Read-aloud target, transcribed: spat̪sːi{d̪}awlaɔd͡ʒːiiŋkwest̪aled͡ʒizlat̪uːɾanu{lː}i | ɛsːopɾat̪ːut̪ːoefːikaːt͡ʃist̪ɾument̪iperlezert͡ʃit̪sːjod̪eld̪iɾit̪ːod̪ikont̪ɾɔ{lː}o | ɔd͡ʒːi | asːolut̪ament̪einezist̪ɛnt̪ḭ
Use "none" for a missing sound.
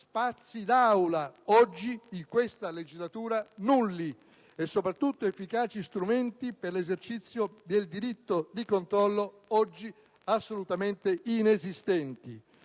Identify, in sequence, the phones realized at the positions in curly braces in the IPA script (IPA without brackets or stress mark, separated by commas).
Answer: d̪, lː, lː